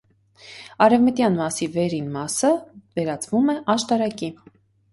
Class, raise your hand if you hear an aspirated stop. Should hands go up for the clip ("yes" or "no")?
no